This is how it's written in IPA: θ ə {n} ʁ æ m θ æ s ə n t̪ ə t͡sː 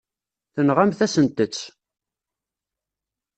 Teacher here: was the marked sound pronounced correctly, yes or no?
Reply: yes